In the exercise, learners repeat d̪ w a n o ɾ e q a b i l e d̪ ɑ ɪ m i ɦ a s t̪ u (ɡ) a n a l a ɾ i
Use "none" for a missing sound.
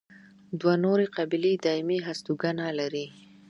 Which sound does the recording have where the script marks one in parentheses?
ɡ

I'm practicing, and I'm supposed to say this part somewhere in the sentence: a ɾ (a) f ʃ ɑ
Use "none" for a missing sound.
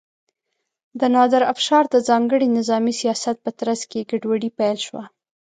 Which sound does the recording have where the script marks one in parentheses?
a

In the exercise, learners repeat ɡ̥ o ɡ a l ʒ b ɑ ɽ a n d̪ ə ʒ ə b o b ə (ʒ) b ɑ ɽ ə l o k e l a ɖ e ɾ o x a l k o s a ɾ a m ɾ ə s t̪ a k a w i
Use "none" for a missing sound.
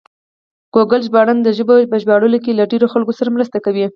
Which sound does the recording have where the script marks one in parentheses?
ʒ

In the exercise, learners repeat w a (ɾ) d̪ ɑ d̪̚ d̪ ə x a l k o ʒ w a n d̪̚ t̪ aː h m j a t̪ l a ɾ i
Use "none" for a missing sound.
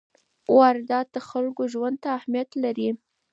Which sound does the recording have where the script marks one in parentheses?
ɾ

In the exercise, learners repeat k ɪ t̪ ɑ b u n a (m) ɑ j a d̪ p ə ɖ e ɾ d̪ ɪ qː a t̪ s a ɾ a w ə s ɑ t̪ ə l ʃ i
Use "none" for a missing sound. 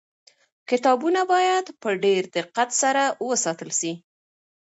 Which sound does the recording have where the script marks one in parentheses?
b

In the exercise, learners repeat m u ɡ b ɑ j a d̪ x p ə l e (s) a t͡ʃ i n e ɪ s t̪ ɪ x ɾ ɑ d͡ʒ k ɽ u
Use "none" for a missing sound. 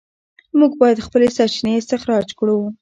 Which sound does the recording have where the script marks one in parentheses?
s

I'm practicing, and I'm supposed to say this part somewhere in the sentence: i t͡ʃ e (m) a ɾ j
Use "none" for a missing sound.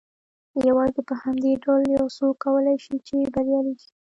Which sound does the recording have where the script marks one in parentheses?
b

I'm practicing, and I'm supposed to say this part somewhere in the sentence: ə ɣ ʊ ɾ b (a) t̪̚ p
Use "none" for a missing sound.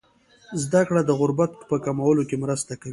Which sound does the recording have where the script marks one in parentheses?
a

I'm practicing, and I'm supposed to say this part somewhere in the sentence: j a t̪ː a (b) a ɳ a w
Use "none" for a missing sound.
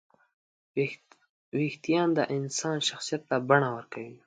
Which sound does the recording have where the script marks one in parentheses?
b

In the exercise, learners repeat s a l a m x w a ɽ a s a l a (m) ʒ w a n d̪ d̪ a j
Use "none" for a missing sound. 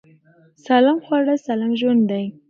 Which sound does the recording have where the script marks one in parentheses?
m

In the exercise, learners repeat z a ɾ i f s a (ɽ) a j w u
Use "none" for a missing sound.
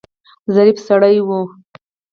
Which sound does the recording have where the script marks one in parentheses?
ɽ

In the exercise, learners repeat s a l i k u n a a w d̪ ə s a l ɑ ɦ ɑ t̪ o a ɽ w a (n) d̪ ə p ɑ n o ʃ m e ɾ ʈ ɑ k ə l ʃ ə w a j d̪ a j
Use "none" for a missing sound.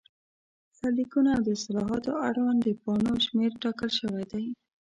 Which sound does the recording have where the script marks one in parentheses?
n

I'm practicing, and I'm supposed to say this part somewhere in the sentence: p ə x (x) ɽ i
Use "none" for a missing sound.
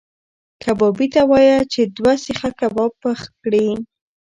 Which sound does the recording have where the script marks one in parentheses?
k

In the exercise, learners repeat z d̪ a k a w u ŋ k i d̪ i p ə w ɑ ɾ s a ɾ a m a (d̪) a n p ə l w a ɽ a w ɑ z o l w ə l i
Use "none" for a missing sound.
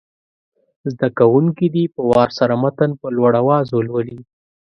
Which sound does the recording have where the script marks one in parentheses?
t̪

